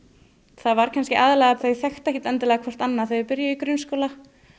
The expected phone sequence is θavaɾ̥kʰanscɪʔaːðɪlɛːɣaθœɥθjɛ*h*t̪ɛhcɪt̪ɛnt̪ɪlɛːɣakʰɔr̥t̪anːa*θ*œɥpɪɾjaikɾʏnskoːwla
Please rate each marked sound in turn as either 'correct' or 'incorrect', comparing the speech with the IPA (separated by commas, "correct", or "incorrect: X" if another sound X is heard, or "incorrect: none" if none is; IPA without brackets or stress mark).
incorrect: x, correct